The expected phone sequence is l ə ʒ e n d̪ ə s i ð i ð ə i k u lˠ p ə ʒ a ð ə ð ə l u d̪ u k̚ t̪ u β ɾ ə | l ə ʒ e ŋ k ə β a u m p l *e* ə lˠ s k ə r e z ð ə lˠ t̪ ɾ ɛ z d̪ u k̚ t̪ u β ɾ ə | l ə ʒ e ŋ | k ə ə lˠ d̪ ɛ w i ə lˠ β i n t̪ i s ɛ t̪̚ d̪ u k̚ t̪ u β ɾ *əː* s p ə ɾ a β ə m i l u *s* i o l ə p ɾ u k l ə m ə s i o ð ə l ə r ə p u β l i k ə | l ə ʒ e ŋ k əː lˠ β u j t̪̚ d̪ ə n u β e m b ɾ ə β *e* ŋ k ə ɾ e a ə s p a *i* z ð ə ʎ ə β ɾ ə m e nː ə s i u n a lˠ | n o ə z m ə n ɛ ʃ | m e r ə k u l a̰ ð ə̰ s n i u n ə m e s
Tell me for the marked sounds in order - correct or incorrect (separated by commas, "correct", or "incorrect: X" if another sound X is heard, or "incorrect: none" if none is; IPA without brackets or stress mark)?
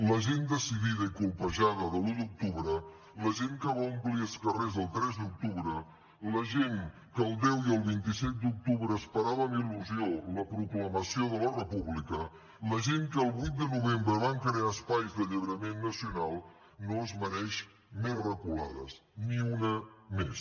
incorrect: i, correct, incorrect: z, incorrect: a, incorrect: j